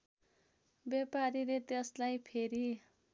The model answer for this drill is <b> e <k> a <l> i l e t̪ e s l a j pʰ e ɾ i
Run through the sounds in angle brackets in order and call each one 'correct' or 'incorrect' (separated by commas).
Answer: correct, incorrect, incorrect